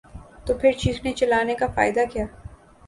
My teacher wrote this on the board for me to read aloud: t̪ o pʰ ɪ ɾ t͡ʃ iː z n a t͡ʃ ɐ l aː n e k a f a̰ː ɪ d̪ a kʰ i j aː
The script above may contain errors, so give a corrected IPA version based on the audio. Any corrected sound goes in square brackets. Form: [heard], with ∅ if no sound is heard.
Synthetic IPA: t̪ o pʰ ɪ ɾ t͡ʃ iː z n [e] t͡ʃ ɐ l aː n e k a f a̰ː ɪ d̪ a [k] i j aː